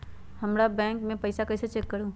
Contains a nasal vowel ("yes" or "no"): yes